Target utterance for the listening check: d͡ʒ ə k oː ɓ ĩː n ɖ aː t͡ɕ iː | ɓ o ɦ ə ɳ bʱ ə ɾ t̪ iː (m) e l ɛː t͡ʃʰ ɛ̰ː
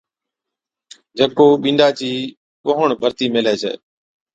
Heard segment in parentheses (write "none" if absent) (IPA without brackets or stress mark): m